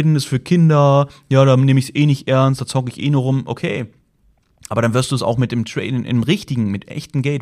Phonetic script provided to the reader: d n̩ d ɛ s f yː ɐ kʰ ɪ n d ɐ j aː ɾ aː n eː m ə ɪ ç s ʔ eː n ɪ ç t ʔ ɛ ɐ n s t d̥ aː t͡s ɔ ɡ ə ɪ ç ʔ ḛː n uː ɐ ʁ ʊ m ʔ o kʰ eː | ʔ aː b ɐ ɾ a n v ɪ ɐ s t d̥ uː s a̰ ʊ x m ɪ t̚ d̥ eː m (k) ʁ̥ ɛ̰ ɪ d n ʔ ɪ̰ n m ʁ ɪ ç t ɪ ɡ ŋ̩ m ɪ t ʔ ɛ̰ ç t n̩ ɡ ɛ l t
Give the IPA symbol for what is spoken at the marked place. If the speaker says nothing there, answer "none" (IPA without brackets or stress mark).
t